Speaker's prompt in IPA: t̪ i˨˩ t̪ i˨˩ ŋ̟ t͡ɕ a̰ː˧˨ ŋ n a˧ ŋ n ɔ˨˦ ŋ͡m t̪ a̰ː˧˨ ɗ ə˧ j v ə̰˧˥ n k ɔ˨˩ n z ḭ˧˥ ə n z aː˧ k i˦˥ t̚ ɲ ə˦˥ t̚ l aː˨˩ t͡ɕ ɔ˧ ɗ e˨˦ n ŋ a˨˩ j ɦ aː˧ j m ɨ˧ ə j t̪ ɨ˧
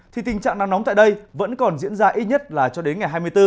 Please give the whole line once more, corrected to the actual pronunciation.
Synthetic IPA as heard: t̪ʰ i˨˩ t̪ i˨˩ ŋ̟ t͡ɕ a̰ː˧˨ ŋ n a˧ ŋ n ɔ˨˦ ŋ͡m t̪ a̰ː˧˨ ɗ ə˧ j v ə̰˧˥ n k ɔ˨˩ n z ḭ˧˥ ə n z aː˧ ʔ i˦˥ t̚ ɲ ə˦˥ t̚ l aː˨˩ t͡ɕ ɔ˧ ɗ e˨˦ n ŋ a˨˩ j ɦ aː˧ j m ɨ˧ ə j t̪ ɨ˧